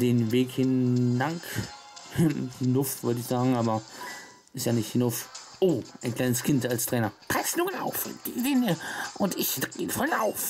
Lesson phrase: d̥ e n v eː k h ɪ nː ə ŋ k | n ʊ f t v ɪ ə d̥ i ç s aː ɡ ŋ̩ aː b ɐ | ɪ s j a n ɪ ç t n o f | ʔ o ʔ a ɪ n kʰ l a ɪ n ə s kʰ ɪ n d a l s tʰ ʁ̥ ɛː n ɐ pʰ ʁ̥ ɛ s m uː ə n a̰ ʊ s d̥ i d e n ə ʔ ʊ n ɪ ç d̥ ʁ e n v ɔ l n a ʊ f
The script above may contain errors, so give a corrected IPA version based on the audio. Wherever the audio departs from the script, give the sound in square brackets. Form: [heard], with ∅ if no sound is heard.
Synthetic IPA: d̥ e n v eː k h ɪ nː [a] ŋ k | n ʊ f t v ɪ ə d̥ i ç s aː ɡ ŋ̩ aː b ɐ | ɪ s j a n ɪ ç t n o f | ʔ o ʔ a ɪ n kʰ l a ɪ n ə s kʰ ɪ n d a l s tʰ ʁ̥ ɛː n ɐ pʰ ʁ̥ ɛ s [n] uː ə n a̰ ʊ [f] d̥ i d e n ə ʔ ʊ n ɪ ç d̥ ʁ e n [f] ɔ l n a ʊ f